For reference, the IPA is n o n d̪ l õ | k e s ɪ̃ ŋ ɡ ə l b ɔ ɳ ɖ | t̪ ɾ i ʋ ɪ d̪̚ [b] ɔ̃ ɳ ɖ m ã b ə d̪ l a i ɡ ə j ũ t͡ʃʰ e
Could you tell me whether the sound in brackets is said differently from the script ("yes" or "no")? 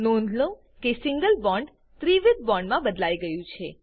no